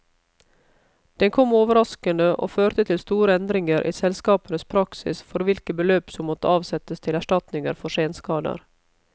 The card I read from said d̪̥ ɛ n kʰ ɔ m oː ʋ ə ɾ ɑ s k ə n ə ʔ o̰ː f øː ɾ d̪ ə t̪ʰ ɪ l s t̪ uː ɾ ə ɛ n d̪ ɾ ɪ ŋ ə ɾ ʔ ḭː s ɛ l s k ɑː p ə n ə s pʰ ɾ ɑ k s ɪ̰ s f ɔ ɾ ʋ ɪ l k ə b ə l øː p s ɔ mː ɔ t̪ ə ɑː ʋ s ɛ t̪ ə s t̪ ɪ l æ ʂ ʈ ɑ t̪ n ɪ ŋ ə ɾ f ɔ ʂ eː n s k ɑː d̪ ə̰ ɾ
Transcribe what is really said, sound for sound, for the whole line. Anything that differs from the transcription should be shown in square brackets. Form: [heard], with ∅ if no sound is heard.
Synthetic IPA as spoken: d̪̥ ɛ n kʰ ɔ m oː ʋ ə ɾ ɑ s k ə n ə ʔ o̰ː f øː ɾ [t̪] ə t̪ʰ ɪ l s t̪ uː ɾ ə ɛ n d̪ ɾ ɪ ŋ ə ɾ ʔ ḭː s ɛ l s k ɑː p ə n ə s pʰ ɾ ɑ k s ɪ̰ s f ɔ ɾ ʋ ɪ l k ə b ə l øː p s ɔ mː ɔ t̪ ə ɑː ʋ s ɛ t̪ ə s [t̪ʰ] ɪ l æ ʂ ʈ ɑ t̪ n ɪ ŋ ə ɾ f ɔ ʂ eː n s k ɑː d̪ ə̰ ɾ